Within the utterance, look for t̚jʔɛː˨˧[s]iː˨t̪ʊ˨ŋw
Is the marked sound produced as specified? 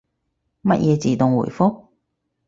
no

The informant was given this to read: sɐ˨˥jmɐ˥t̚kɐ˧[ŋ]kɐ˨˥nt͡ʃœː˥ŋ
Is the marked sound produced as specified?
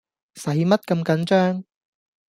no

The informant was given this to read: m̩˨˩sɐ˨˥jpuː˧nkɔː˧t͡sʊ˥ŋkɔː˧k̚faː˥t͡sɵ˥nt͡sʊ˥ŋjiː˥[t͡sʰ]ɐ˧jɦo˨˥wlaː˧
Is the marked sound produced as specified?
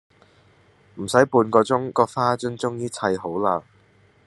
yes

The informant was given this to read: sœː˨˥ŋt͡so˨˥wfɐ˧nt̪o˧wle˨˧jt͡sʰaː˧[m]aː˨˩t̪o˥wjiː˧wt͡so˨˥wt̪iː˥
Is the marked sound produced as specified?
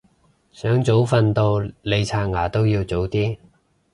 no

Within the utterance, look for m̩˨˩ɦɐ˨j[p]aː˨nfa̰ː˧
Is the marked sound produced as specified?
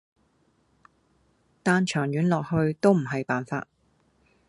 yes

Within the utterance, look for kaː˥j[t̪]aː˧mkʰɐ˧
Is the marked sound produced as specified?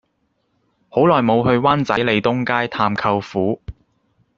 no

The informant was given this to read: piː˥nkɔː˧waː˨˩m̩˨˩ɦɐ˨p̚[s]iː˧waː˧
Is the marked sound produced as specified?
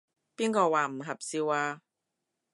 yes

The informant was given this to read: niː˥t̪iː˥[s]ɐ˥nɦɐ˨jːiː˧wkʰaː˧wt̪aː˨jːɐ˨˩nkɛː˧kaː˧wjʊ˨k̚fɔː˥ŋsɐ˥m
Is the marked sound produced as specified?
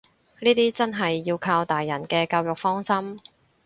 no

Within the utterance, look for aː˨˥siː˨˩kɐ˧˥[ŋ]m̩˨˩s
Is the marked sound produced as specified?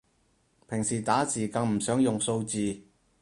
yes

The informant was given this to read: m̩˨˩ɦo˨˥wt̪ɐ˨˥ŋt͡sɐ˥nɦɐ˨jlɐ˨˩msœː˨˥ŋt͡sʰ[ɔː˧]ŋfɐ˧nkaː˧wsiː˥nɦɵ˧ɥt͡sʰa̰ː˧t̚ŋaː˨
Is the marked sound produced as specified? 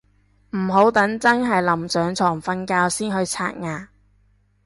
no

